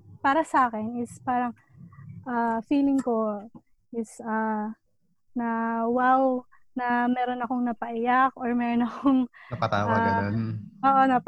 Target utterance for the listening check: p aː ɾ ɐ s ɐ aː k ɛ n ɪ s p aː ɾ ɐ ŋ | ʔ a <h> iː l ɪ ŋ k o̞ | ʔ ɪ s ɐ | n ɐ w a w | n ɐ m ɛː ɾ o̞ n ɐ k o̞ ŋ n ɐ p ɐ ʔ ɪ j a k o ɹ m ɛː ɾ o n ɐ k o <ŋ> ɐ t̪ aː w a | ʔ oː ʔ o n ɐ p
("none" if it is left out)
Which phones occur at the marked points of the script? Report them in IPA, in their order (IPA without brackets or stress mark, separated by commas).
f, ŋ